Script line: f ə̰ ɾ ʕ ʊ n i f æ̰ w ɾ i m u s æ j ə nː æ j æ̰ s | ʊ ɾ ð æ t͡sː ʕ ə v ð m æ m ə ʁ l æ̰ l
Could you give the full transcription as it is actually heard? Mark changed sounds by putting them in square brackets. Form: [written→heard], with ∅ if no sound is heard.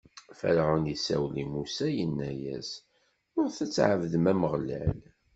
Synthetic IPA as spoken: f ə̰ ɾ ʕ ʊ n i [f→s] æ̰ w [ɾ→l] i m u s æ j ə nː æ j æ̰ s | ʊ ɾ [ð→θ] æ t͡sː ʕ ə v ð m æ m ə ʁ l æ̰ l